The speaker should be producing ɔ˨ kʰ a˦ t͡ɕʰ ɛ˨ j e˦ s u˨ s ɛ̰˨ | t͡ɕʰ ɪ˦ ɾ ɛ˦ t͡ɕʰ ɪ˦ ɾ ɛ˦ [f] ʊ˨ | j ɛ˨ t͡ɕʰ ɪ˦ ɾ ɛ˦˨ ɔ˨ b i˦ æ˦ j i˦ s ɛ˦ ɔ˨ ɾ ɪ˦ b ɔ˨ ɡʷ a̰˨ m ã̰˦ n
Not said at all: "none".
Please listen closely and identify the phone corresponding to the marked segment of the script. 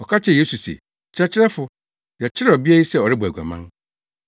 f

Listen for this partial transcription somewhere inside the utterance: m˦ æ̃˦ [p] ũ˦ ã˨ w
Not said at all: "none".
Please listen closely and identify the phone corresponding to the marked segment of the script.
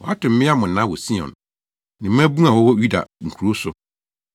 b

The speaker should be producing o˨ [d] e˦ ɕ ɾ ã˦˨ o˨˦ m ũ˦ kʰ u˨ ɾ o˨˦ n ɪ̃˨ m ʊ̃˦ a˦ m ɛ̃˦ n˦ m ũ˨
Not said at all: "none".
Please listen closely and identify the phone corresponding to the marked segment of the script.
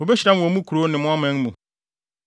b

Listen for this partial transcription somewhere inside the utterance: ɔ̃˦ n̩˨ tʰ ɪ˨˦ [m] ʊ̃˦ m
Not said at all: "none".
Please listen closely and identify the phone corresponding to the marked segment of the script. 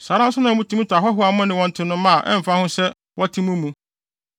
n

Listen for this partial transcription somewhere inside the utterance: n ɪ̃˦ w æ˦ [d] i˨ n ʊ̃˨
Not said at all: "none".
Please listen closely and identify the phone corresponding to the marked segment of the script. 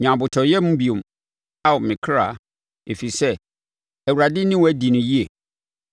d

